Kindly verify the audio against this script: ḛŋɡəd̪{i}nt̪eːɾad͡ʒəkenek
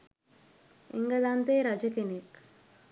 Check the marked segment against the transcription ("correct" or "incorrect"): incorrect